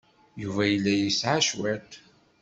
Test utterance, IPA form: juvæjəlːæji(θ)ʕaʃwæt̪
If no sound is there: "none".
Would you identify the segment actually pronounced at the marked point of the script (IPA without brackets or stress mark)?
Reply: s